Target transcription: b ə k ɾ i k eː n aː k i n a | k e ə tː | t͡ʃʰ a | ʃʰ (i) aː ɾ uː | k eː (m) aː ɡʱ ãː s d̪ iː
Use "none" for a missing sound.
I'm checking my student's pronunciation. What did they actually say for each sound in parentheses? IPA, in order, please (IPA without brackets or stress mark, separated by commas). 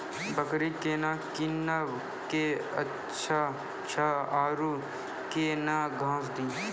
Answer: a, n